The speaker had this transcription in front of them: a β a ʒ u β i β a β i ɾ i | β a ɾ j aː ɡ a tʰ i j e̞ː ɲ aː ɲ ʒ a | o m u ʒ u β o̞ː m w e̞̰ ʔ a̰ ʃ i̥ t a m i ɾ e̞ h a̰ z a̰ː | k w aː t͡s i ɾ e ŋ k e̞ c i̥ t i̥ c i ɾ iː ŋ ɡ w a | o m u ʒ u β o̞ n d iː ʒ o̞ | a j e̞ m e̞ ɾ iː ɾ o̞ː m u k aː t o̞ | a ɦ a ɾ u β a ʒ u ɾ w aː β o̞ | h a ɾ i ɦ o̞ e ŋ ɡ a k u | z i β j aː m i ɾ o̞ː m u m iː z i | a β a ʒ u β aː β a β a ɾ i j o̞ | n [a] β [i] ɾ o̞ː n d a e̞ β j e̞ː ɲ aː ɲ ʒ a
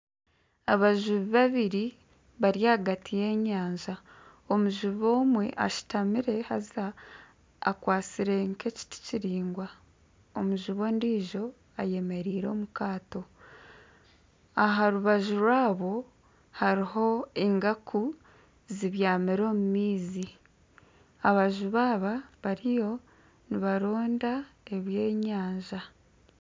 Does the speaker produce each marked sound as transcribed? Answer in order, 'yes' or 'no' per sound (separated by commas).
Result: no, no